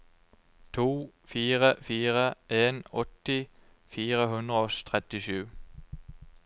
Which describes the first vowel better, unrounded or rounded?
rounded